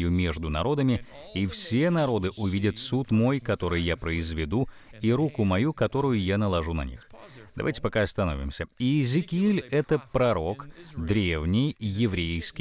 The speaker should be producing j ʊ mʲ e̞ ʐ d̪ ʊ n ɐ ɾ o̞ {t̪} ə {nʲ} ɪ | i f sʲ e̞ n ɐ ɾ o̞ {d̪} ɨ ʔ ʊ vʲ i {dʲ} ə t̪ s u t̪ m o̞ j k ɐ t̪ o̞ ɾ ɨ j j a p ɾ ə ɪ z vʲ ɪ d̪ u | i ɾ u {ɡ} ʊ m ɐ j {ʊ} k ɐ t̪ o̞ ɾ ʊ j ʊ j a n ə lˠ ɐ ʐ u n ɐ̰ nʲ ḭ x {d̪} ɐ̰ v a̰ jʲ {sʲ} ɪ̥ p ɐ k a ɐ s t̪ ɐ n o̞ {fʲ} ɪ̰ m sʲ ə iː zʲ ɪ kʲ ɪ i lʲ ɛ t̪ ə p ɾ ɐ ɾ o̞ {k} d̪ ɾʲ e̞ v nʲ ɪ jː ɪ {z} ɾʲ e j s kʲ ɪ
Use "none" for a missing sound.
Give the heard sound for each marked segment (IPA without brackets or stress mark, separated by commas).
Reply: d̪, mʲ, d̪, dʲ, k, u, d̪, tʲ, vʲ, k, v